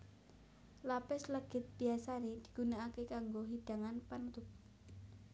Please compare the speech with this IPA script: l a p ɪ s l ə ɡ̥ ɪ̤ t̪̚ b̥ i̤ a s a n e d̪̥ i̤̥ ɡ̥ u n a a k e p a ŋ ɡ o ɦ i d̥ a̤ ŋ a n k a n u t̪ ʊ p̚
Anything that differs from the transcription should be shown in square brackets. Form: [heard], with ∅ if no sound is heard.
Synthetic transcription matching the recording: l a p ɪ s l ə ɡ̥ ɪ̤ t̪̚ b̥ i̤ a s a n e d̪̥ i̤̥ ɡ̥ u n a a k e [k] a ŋ ɡ o ɦ i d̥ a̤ ŋ a n [p] a n u t̪ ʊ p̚